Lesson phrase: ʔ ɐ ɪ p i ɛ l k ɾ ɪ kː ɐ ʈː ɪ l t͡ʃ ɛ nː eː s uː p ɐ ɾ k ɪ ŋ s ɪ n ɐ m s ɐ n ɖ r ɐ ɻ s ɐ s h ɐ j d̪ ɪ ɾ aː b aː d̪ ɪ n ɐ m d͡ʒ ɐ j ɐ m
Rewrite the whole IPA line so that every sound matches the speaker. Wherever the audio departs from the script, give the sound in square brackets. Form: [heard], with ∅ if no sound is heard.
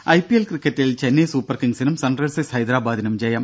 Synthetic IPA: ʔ ɐ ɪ p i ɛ l k ɾ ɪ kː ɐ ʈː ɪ l t͡ʃ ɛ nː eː s uː p ɐ ɾ k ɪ ŋ s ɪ n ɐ m s ɐ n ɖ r ɐ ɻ s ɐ s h ɐ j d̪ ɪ ɾ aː b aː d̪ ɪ n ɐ m d͡ʒ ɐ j ɐ m